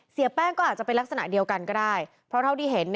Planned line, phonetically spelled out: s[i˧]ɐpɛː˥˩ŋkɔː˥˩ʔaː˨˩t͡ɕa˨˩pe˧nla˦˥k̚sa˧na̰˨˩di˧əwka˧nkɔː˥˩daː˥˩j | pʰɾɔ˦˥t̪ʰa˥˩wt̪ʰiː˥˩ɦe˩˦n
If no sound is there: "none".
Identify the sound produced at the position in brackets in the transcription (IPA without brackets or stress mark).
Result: i˩˦